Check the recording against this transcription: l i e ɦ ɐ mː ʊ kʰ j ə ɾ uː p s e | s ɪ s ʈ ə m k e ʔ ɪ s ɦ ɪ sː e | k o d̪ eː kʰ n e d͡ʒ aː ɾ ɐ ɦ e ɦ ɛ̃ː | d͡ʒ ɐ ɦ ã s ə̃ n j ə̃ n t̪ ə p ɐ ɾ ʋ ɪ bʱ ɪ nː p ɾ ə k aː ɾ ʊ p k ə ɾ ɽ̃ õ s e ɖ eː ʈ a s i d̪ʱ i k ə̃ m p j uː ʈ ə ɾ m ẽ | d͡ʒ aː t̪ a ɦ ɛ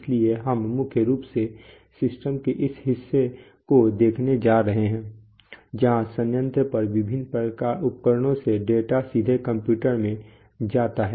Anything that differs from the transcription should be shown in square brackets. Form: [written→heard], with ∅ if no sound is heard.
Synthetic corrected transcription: l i e ɦ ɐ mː ʊ kʰ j ə ɾ uː p s e | s ɪ s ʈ ə m k e ʔ ɪ s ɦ ɪ sː e | k o d̪ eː kʰ n e d͡ʒ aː ɾ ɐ ɦ e ɦ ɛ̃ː | d͡ʒ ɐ ɦ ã s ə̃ n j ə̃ n t̪ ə p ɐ ɾ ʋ ɪ bʱ ɪ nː p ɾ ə k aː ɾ ʊ p k ə ɾ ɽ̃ õ s e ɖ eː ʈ a s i d̪ʱ [i→e] k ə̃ m p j uː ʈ ə ɾ m ẽ | d͡ʒ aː t̪ a ɦ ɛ